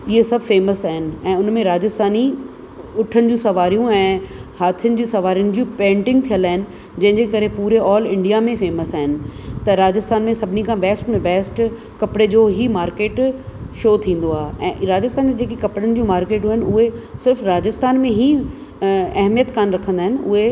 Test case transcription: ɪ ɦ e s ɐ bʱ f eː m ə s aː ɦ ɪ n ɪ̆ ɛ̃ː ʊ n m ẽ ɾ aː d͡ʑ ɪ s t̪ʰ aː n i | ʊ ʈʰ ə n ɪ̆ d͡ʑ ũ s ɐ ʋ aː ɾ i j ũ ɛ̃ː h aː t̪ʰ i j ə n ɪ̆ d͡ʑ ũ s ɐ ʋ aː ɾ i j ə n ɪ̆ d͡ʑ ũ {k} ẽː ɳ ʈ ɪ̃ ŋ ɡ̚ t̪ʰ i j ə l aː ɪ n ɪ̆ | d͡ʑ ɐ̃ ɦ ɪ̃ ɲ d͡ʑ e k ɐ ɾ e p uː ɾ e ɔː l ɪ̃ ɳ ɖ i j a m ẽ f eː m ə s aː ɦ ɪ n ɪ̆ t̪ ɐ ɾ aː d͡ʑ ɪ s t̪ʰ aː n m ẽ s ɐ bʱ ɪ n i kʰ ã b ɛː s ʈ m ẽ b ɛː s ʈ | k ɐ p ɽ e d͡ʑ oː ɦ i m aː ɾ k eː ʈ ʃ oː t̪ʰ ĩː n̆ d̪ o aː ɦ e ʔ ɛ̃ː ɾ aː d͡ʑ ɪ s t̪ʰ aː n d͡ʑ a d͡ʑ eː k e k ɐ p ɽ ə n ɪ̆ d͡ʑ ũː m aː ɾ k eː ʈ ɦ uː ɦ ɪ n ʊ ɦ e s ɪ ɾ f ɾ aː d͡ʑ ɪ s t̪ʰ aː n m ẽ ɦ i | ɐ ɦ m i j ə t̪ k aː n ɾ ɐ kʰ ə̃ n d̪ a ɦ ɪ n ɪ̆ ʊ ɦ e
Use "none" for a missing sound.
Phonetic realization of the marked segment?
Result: p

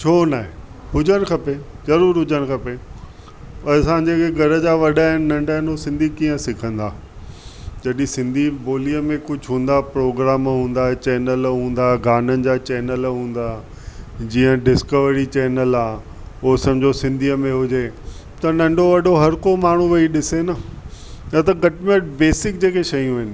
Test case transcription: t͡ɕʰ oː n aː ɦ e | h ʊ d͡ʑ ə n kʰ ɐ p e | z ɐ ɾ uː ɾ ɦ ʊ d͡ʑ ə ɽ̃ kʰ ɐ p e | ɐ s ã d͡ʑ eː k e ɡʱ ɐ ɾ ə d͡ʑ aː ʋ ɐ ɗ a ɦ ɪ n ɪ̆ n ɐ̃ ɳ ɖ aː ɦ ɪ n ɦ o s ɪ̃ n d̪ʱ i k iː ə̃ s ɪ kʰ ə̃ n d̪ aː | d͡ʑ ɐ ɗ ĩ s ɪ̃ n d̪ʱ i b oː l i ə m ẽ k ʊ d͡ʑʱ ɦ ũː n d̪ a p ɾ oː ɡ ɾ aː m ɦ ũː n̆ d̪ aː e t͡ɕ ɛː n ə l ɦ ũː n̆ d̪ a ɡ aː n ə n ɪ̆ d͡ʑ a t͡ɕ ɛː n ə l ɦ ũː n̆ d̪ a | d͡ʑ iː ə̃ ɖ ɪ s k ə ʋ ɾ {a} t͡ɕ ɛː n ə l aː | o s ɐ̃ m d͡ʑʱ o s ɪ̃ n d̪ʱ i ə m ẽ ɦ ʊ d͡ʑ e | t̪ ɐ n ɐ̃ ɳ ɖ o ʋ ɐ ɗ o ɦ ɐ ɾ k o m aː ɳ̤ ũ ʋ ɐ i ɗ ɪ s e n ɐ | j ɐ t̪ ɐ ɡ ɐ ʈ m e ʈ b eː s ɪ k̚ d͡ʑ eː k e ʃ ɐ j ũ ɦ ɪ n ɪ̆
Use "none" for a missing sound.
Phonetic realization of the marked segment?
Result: i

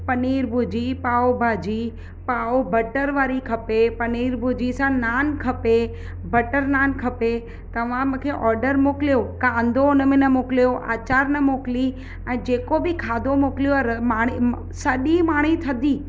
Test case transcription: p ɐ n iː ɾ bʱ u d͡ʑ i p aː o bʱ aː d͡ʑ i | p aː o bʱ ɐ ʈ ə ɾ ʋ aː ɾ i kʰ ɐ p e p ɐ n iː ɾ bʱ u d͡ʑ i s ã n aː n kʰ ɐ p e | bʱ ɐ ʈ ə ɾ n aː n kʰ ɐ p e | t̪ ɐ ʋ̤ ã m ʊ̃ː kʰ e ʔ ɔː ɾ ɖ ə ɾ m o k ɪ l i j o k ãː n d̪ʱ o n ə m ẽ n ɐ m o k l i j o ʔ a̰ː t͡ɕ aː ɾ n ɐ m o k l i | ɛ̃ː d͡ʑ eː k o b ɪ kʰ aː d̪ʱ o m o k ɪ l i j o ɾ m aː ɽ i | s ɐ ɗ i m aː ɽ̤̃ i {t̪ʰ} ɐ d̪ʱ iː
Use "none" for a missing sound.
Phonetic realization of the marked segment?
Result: t̪ʰ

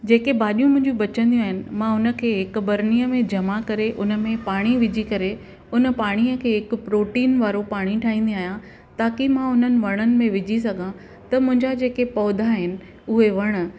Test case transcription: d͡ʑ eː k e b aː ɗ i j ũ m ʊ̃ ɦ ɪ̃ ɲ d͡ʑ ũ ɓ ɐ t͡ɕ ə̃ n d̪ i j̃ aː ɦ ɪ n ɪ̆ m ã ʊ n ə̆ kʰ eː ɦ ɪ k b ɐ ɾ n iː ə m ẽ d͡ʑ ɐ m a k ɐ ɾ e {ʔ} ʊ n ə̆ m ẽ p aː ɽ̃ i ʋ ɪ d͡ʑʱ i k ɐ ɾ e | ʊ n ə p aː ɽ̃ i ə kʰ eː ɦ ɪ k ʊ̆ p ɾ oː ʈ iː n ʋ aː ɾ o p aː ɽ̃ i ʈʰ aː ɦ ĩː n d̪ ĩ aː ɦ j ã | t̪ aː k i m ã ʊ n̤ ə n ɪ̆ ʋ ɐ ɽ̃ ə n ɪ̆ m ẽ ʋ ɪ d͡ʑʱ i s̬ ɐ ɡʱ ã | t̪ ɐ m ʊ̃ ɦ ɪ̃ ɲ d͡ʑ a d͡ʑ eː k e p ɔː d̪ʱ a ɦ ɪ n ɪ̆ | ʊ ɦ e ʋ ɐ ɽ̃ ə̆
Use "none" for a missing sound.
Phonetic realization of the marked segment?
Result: ʔ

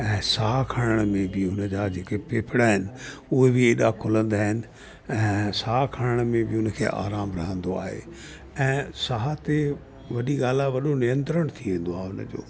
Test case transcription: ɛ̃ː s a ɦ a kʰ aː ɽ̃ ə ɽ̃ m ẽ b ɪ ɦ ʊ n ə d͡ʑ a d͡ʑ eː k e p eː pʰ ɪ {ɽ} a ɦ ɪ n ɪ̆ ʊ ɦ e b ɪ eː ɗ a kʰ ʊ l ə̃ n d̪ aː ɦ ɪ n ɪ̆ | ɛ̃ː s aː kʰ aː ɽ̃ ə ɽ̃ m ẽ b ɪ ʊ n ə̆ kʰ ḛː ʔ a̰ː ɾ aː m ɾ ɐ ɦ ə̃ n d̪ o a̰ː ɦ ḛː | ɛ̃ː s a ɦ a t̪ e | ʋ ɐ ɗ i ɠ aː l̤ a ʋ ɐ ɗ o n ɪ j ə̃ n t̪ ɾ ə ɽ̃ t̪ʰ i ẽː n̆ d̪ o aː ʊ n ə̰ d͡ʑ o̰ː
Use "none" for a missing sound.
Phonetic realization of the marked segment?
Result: ɽ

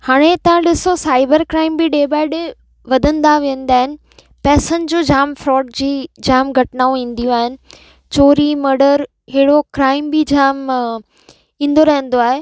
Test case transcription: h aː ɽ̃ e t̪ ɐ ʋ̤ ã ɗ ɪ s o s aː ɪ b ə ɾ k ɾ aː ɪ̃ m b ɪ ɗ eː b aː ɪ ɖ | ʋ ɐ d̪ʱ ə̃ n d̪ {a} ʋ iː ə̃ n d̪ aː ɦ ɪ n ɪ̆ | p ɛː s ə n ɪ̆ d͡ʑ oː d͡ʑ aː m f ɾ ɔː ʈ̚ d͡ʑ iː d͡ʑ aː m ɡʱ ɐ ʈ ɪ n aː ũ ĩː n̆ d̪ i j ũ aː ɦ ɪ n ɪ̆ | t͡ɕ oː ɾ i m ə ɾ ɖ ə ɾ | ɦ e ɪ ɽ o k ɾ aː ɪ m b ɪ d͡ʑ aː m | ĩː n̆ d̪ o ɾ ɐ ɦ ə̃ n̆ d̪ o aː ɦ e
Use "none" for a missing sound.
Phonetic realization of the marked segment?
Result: a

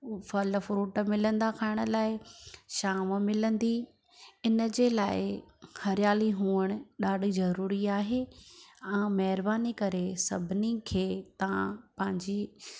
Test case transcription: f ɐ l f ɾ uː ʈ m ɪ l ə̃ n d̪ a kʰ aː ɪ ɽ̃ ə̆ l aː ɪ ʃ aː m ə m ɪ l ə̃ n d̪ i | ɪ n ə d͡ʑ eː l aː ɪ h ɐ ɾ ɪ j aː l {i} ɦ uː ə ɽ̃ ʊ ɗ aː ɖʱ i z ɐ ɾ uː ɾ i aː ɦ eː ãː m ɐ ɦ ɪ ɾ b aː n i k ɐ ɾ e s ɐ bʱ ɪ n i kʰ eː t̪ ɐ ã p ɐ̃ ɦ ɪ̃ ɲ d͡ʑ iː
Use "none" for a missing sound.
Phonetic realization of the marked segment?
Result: i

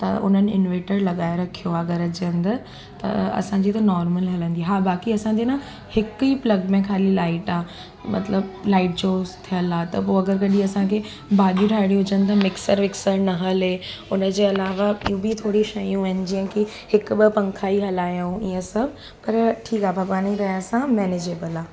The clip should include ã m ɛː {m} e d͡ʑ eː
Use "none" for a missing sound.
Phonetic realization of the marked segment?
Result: n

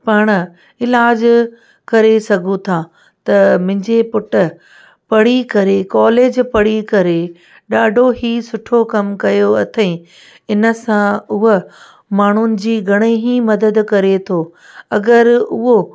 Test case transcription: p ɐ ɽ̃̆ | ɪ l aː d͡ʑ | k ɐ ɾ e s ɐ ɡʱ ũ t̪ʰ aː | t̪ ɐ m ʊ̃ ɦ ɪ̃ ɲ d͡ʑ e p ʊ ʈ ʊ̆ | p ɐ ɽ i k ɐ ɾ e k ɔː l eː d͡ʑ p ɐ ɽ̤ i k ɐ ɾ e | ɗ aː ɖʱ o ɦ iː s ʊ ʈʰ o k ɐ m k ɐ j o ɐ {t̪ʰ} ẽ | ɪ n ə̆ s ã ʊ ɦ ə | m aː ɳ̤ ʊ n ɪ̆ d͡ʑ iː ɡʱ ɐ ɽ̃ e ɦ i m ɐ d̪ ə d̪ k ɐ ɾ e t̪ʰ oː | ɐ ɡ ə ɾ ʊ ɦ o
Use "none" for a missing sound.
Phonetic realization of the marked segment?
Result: t̪ʰ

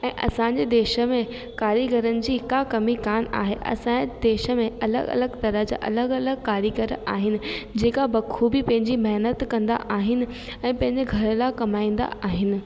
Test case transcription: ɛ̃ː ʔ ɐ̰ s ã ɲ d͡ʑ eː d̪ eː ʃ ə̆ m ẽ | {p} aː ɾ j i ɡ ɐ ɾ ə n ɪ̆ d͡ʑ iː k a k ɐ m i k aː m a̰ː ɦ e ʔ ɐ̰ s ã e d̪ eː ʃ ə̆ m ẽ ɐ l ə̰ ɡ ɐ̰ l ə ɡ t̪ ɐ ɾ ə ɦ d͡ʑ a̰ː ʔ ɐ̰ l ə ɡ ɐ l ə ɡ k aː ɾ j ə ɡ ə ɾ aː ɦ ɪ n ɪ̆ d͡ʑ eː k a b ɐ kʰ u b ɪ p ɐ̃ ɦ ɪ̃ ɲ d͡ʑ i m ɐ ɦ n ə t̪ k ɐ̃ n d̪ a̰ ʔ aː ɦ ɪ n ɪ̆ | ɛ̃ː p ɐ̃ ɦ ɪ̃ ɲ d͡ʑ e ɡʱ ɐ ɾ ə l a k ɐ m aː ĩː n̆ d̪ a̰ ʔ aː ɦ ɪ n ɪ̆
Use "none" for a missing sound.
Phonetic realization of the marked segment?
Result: k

